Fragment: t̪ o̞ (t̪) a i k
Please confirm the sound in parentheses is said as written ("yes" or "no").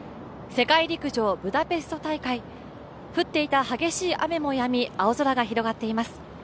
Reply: yes